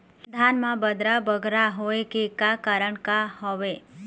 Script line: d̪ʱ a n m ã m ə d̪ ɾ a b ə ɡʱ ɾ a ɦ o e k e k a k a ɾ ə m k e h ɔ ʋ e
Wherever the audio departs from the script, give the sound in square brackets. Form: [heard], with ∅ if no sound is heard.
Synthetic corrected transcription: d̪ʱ a n m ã [b] ə d̪ ɾ a b ə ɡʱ ɾ a ɦ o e k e k a k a ɾ ə [ɳ] k [a] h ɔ ʋ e